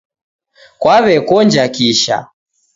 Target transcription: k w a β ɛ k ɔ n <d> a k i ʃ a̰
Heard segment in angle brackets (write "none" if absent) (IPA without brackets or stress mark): d͡ʒ